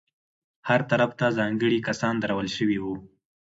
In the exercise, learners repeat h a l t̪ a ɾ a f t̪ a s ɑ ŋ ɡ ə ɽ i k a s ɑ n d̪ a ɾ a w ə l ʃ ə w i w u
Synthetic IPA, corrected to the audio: h a ɾ t̪ a ɾ a f t̪ a z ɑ ŋ ɡ ə ɽ i k a s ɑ n d̪ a ɾ a w ə l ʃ ə w i w u